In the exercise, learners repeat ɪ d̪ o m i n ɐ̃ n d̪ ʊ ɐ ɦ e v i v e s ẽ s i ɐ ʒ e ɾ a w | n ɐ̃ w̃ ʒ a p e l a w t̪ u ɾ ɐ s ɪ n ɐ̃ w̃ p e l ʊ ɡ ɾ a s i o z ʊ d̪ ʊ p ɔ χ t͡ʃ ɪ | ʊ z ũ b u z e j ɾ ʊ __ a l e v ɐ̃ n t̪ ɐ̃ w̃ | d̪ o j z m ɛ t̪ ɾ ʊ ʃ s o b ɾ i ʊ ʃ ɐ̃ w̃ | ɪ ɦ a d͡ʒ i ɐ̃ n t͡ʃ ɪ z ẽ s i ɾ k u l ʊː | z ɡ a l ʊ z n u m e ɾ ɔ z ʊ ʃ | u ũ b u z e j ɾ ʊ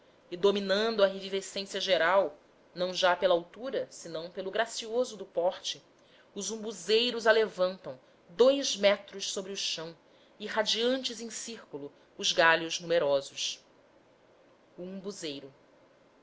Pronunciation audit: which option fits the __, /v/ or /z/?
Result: z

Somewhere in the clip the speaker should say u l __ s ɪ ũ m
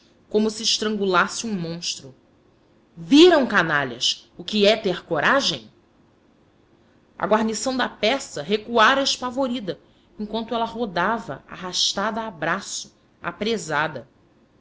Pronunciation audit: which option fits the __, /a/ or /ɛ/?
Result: a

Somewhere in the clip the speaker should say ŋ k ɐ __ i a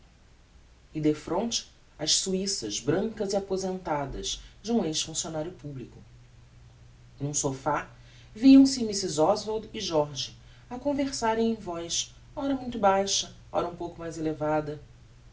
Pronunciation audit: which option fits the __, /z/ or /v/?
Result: z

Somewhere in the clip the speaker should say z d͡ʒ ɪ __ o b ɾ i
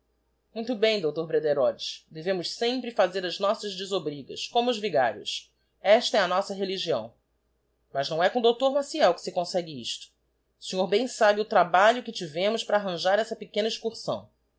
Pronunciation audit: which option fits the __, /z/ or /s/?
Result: z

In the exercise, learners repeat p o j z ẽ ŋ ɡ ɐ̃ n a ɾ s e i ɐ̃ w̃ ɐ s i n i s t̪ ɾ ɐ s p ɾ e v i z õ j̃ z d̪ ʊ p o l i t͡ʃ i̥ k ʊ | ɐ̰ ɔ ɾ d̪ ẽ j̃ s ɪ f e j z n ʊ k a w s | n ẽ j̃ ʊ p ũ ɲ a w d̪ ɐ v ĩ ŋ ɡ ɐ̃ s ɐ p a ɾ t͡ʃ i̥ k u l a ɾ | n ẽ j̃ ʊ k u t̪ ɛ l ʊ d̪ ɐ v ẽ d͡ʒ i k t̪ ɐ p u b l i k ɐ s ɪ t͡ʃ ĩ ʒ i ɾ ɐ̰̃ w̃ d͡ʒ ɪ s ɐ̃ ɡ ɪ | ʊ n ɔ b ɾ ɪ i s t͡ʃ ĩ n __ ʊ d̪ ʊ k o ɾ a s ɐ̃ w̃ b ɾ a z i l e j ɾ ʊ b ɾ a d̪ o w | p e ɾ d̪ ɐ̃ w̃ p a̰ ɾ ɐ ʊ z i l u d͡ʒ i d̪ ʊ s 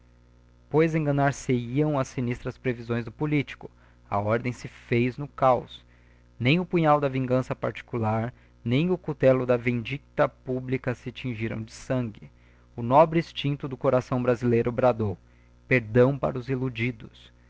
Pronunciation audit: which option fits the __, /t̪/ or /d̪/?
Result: t̪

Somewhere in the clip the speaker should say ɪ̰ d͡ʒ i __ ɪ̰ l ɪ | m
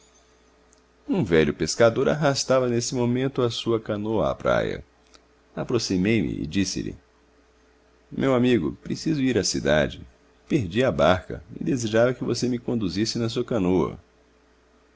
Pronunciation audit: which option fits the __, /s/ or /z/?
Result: s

